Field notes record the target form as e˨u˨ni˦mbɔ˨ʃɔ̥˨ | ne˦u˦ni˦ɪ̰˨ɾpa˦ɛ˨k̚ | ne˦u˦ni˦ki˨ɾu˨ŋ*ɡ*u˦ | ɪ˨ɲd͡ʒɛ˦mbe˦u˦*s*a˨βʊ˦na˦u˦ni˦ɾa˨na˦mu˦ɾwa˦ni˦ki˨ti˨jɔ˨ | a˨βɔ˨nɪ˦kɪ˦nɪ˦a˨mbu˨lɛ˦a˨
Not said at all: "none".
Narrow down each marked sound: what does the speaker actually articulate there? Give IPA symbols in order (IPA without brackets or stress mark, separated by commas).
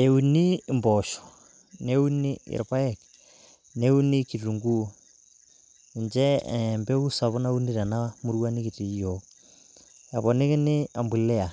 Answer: ɡ, s